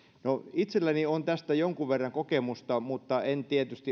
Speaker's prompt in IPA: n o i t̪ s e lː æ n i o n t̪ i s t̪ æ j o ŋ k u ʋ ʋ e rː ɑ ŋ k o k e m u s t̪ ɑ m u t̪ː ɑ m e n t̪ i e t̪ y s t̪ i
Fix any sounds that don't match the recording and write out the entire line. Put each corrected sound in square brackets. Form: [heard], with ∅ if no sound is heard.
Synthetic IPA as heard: n o i t̪ s e lː æ n i o n t̪ [æ] s t̪ æ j o ŋ k u ʋ ʋ e rː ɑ ŋ k o k e m u s t̪ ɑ m u t̪ː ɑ [∅] e n t̪ i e t̪ y s t̪ i